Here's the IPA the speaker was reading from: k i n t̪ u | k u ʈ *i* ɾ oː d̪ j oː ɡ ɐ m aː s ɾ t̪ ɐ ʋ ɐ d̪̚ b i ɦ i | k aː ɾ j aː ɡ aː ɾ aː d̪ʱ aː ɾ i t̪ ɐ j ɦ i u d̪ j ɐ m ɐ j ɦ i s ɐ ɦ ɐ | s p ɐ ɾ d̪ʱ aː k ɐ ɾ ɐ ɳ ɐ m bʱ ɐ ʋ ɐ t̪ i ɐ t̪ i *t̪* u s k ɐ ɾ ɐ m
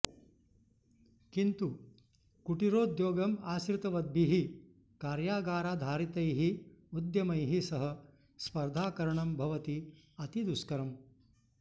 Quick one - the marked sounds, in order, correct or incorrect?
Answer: correct, incorrect: d̪

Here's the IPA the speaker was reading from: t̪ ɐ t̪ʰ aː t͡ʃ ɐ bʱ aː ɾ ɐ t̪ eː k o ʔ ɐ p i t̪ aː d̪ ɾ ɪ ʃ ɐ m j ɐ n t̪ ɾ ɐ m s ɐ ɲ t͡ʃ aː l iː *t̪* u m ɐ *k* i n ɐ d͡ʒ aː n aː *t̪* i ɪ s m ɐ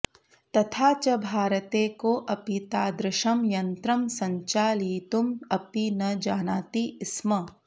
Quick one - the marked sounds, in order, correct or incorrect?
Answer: correct, incorrect: p, correct

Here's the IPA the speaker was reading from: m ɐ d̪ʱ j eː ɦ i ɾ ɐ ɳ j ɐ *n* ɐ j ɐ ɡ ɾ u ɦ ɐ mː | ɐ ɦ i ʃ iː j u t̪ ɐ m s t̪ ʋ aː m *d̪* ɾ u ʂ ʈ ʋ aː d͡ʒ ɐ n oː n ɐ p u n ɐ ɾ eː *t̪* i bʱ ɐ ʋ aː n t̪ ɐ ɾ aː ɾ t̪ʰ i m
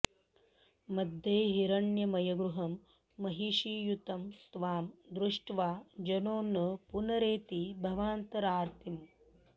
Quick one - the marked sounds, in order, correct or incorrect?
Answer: incorrect: m, correct, correct

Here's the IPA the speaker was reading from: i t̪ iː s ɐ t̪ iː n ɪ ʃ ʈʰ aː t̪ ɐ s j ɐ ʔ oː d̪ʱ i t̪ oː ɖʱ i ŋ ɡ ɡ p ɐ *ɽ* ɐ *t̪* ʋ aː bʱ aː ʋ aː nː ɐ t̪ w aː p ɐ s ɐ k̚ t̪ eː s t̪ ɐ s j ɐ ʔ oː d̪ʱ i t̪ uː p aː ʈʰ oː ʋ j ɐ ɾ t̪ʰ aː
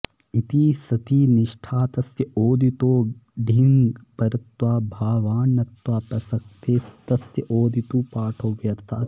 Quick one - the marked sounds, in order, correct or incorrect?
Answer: incorrect: ɾ, correct

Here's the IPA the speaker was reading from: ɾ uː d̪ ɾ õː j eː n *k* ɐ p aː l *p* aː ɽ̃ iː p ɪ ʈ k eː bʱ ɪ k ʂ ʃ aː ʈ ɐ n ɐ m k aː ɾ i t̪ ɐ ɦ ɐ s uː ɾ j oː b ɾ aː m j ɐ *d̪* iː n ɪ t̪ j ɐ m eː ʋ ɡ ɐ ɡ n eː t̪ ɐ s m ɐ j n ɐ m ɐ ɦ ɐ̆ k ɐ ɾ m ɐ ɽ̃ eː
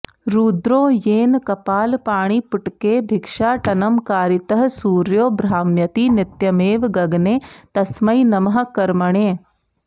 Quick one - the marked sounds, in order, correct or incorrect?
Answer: correct, correct, incorrect: t̪

